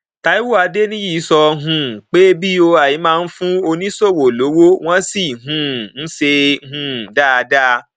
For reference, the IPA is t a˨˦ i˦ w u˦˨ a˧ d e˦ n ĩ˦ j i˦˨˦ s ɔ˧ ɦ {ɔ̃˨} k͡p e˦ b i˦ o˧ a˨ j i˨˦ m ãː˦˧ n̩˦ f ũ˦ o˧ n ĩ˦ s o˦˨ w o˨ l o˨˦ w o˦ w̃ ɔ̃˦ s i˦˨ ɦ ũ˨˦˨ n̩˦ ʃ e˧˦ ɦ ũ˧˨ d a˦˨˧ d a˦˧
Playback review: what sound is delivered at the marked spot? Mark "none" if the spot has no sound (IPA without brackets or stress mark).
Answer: ũ˨